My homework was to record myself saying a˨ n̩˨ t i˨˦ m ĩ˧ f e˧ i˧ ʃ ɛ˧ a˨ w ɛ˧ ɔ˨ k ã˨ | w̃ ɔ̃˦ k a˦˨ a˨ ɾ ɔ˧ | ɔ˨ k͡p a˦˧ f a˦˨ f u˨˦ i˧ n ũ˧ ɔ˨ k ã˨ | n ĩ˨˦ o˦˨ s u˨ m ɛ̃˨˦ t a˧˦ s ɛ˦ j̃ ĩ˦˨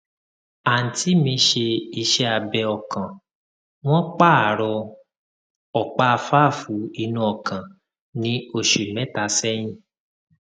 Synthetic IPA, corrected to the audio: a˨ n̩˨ t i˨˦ m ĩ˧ ʃ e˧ i˧ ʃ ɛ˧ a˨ b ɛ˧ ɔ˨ k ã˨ | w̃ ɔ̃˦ k͡p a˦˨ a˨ ɾ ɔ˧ | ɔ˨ k͡p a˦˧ f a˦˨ f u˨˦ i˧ n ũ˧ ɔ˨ k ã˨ | n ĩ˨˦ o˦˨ ʃ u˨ m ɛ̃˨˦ t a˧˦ s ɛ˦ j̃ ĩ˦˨